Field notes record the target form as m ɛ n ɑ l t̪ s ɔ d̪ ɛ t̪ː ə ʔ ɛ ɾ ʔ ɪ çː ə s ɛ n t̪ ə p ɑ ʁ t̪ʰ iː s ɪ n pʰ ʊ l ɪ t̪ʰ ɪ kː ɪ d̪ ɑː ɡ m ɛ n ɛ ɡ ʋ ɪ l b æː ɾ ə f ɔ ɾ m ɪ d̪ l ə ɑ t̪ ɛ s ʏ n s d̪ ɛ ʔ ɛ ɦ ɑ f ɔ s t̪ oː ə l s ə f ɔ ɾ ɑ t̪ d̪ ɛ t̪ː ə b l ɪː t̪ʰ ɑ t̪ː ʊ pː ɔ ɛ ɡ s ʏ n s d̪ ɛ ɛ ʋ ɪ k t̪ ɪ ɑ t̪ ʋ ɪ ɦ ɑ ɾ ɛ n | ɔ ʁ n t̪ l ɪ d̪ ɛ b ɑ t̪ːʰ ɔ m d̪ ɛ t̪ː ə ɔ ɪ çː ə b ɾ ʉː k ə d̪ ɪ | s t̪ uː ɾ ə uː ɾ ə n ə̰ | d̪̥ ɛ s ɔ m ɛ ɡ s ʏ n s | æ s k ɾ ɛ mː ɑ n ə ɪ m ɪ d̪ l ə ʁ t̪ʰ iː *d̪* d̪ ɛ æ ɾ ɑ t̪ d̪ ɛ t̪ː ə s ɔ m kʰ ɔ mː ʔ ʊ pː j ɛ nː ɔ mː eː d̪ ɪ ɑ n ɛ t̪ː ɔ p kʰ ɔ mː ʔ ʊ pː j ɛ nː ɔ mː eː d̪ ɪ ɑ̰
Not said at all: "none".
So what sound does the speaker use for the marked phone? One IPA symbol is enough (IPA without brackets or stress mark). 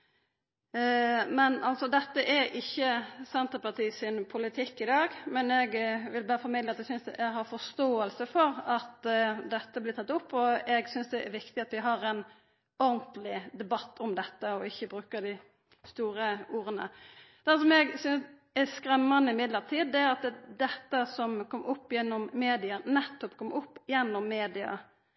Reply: d̪